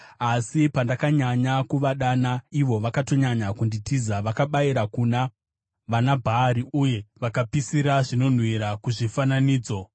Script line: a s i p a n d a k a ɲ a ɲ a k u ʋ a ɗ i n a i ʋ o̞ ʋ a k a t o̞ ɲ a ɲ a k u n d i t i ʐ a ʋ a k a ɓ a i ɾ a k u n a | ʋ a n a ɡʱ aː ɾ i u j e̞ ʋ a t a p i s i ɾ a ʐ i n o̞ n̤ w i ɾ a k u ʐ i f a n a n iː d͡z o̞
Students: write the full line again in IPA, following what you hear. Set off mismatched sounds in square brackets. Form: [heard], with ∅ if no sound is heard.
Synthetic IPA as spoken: a s i p a n d a k a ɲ a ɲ a k u ʋ a ɗ [a] n a i ʋ o̞ ʋ a k a t o̞ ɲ a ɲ a k u n d i t i [z] a ʋ a k a ɓ a i ɾ a k u n a | ʋ a n a [bʱ] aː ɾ i u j e̞ ʋ a [k] a p i s i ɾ a ʐ i n o̞ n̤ w i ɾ a k u ʐ i f a n a n iː d͡z o̞

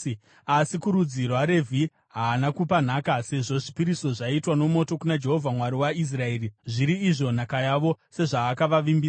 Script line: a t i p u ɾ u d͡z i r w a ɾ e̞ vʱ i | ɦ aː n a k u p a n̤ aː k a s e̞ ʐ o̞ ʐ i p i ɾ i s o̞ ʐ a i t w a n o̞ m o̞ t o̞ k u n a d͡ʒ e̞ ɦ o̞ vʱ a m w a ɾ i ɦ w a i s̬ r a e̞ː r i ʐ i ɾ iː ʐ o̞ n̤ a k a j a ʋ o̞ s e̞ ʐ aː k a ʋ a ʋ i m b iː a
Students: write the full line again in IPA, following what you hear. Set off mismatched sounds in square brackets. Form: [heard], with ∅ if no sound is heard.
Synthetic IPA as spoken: a [s] i [k] u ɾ u d͡z i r w a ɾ e̞ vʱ i | ɦ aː n a k u p a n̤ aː k a s e̞ ʐ o̞ ʐ i p i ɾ i s o̞ ʐ a i t w a n o̞ m o̞ t o̞ k u n a d͡ʒ e̞ ɦ o̞ vʱ a m w a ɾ i [∅] w a i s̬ r a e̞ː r i ʐ i ɾ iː ʐ o̞ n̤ a k a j a ʋ o̞ s e̞ ʐ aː k a ʋ a ʋ i m b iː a

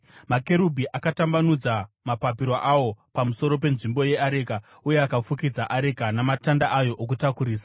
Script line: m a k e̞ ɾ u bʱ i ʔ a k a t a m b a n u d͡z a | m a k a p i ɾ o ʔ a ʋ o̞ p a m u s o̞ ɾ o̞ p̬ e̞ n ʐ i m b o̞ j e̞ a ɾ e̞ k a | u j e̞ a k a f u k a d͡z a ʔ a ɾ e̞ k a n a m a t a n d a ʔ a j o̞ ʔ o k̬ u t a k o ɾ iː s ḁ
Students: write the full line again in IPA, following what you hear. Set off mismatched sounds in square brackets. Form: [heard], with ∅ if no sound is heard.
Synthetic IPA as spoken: m a k e̞ ɾ u bʱ i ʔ a k a t a m b a n u d͡z a | m a [p] a p i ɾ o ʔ a [w] o̞ p a m u s o̞ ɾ o̞ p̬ e̞ n ʐ i m b o̞ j e̞ a ɾ e̞ k a | u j e̞ a k a f u k [i] d͡z a ʔ a ɾ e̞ k a n a m a t a n d a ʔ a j o̞ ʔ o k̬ u t a k [u] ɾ iː s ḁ

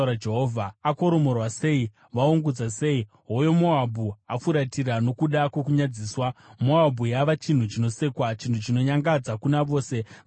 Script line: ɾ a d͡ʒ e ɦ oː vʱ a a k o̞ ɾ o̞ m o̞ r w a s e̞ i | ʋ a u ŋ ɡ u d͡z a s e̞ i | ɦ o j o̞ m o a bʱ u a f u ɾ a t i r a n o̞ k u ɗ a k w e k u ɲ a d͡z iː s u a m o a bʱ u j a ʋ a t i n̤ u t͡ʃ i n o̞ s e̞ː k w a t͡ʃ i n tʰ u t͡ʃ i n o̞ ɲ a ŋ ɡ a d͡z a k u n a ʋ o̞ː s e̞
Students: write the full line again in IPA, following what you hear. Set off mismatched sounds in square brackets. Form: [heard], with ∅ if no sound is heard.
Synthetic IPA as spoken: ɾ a d͡ʒ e ɦ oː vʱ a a k o̞ ɾ o̞ m o̞ r w a s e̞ i | ʋ a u ŋ ɡ u d͡z a s e̞ i | ɦ o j o̞ m o a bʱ u a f u ɾ a t i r a n o̞ k u ɗ a k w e k u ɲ a d͡z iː s [w] a m o a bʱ u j a ʋ a [t͡ʃ] i n̤ u t͡ʃ i n o̞ s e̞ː k w a t͡ʃ i n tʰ u t͡ʃ i n o̞ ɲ a ŋ ɡ a d͡z a k u n a ʋ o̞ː s e̞

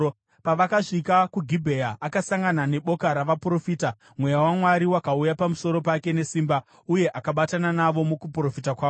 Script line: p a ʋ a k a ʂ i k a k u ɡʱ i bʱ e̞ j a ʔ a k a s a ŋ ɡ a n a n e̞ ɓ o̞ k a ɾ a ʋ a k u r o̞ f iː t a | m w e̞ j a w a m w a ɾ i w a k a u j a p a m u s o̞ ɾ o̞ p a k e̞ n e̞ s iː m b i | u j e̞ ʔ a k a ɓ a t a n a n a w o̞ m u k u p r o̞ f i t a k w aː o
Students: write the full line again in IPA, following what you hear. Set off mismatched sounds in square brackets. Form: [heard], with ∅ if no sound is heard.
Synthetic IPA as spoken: p a ʋ a k a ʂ i k a k u ɡʱ i bʱ e̞ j a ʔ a k a s a ŋ ɡ a n a n e̞ ɓ o̞ k a ɾ a ʋ a [p] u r o̞ f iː t a | m w e̞ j a w a m w a ɾ i w a k a u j a p a m u s o̞ ɾ o̞ p a k e̞ n e̞ s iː m b [a] | u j e̞ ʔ a k a ɓ a t a n a n a [ʋ] o̞ m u k u p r o̞ f i t a k w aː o

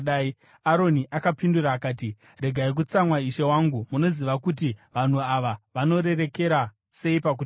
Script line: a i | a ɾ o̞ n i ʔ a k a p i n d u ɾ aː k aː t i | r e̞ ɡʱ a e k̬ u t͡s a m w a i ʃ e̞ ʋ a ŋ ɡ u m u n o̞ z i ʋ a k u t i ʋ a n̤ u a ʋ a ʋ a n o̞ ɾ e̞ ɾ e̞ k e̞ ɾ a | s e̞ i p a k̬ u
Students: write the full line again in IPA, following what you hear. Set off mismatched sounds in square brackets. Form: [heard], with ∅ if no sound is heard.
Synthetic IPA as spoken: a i | a ɾ o̞ n i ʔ a k a p i n d u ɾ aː k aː t i | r e̞ ɡʱ a [i] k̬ u t͡s a m w a i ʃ e̞ [w] a ŋ ɡ u m u n o̞ z i ʋ a k u t i ʋ a n̤ u a ʋ a ʋ a n o̞ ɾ e̞ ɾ e̞ k e̞ ɾ a | s e̞ i p a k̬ u

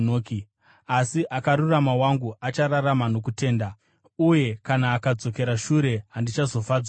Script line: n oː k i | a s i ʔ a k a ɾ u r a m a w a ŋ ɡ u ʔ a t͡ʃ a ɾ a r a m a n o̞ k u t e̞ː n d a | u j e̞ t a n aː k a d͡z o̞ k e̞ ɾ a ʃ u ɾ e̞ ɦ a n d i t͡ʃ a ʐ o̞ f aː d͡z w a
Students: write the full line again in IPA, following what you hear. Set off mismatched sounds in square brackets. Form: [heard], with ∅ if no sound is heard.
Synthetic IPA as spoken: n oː k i | a s i ʔ a k a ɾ u r a m a w a ŋ ɡ u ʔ a t͡ʃ a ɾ a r a m a n o̞ k u t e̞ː n d a | u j e̞ [k] a n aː k a d͡z o̞ k e̞ ɾ a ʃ u ɾ e̞ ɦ a n d i t͡ʃ a [z] o̞ f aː d͡z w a

